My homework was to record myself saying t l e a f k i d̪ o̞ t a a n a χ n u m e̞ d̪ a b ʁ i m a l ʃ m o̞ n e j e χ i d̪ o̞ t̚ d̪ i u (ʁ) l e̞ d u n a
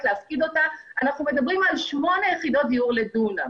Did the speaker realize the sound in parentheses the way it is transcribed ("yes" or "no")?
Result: yes